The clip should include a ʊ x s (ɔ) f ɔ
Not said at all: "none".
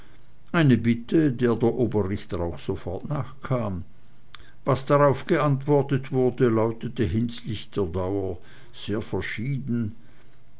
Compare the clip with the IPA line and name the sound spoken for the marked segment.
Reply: o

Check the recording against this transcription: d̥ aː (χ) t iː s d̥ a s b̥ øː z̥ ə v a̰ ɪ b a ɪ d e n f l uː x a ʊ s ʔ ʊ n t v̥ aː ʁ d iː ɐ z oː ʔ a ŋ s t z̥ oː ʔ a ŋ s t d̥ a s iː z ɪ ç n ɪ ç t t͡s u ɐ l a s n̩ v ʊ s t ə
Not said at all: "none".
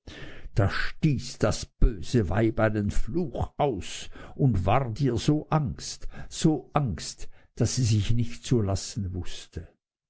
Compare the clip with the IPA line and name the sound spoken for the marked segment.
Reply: ʃ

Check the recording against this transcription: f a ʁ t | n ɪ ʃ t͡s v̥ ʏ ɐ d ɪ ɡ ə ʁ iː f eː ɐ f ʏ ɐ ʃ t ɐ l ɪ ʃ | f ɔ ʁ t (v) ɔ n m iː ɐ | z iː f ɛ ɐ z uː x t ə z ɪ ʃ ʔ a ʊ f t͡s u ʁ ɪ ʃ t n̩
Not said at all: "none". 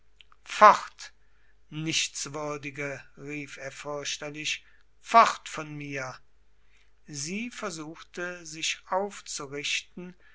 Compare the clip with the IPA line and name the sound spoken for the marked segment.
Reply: f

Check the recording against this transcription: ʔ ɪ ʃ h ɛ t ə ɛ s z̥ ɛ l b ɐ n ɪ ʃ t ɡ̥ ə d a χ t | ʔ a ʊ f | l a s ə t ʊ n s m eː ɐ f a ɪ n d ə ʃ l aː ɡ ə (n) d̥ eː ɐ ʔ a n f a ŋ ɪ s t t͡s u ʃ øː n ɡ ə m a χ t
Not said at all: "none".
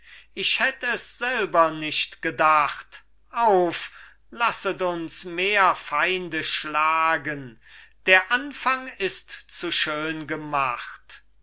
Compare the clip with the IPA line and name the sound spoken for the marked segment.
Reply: n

